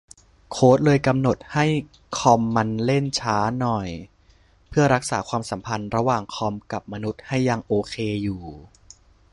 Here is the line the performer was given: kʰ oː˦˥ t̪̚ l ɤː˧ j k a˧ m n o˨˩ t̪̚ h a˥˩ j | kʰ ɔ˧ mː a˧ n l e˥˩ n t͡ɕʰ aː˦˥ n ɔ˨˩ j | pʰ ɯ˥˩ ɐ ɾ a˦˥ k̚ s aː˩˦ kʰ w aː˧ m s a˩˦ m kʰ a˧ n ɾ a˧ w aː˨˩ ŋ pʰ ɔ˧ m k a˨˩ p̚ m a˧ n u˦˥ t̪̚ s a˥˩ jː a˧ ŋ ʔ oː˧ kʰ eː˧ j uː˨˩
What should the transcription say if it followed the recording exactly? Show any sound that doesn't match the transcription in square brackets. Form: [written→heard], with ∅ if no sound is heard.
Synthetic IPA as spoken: kʰ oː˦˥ t̪̚ l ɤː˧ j k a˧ m n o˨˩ t̪̚ h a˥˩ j | kʰ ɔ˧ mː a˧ n l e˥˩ n t͡ɕʰ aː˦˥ n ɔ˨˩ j | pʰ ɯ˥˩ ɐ ɾ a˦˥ k̚ s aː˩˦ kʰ w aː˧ m s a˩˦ m [kʰ→pʰ] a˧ n ɾ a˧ w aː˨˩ ŋ [pʰ→kʰ] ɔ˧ m k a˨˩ p̚ m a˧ n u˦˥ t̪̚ [s→h] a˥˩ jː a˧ ŋ ʔ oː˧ kʰ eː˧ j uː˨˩